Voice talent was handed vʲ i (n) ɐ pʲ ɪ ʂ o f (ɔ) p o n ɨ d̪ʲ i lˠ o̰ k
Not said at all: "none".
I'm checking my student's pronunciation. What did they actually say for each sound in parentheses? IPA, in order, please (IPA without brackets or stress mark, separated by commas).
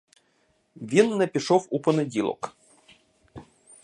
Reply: nː, u